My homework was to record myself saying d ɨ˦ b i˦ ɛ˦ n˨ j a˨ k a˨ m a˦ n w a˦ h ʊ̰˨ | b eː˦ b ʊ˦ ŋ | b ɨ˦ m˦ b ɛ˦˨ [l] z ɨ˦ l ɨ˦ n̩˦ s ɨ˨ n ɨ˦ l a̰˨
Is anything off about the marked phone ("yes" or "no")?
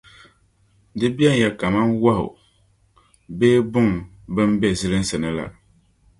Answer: yes